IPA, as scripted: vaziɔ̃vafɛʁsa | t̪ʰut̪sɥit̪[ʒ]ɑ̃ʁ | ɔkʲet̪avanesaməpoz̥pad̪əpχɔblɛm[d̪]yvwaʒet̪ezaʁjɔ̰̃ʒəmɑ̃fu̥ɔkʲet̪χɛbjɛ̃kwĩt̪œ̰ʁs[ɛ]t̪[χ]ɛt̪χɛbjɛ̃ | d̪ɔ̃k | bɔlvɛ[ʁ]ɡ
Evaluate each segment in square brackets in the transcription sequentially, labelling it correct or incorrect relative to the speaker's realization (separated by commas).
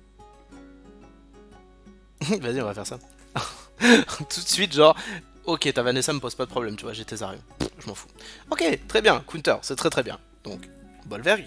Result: correct, incorrect, correct, correct, correct